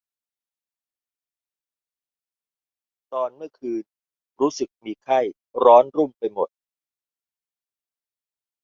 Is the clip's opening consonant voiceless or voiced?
voiceless